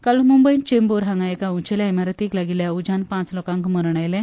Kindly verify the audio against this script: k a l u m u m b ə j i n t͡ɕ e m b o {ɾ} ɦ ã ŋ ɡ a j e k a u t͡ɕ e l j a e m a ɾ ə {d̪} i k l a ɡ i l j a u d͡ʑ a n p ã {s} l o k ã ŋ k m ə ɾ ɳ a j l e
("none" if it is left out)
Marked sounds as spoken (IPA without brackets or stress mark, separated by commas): ɾ, t̪, t͡s